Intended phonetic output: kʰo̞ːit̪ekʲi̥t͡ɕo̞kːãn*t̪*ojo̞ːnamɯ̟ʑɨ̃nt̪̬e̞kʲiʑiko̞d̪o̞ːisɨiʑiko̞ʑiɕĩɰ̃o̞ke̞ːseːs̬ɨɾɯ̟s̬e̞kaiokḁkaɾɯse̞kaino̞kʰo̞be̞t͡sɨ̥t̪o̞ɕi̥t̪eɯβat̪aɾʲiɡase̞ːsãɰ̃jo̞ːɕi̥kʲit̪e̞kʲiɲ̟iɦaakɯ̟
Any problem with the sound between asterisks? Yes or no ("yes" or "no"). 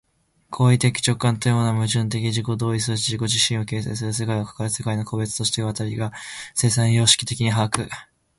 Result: no